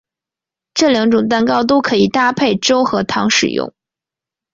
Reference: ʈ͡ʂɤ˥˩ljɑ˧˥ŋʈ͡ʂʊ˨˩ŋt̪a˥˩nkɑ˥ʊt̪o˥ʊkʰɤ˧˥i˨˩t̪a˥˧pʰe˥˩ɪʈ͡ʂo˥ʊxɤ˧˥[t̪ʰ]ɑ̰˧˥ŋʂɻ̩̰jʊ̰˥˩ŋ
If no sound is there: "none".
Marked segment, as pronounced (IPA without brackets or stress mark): t̪ʰ